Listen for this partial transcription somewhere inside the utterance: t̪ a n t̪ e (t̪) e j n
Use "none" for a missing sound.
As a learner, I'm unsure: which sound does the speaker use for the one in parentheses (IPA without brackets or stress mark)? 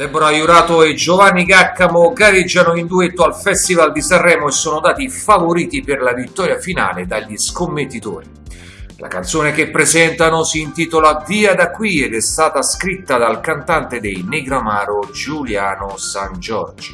d̪